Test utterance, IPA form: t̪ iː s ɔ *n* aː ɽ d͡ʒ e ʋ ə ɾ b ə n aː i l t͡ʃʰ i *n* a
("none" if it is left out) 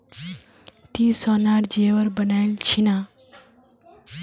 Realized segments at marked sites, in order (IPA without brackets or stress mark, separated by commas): n, n